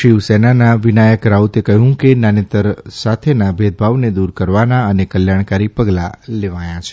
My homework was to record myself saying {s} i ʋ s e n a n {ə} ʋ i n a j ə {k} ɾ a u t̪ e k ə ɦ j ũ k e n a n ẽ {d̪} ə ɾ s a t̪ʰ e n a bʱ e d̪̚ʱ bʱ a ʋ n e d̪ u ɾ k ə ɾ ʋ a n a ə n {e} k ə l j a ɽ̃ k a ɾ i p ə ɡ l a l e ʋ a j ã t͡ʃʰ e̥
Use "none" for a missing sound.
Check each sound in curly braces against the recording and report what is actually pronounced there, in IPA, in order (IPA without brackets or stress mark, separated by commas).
ʃ, a, k, t̪, e